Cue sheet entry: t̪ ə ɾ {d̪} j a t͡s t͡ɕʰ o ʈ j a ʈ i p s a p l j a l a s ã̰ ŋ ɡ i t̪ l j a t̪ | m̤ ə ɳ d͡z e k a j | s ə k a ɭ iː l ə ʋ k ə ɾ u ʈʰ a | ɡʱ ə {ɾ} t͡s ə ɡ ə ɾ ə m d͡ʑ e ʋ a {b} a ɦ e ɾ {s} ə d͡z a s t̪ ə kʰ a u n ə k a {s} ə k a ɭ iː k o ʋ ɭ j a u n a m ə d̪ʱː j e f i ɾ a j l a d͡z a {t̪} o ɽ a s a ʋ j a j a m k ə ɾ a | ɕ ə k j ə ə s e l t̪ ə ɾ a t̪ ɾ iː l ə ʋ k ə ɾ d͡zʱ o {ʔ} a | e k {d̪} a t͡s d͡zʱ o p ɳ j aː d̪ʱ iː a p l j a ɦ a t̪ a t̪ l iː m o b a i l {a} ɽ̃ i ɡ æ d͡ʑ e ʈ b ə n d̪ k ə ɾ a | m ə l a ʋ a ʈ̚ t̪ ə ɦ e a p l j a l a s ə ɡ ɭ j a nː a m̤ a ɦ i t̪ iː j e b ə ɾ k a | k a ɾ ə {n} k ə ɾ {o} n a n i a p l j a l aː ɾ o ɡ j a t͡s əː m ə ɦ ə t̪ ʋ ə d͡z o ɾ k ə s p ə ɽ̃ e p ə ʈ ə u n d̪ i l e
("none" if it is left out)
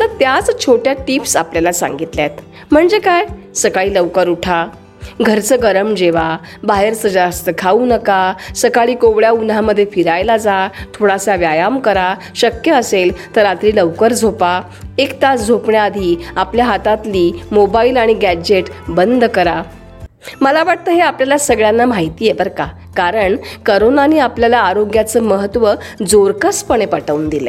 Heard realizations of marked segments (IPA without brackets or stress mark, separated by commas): t̪, ɾ, b, s, s, t̪ʰ, p, t̪, a, ɳ, o